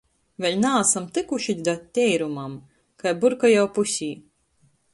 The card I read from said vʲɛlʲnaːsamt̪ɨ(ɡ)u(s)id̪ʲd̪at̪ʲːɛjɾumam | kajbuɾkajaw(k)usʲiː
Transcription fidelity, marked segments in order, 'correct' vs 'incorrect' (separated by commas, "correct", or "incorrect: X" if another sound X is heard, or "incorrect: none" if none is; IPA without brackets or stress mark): incorrect: k, incorrect: ʃ, incorrect: p